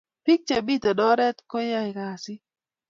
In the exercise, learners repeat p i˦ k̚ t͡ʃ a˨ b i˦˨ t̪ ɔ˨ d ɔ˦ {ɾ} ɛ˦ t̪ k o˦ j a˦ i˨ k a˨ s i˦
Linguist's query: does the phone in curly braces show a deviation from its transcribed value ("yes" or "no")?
no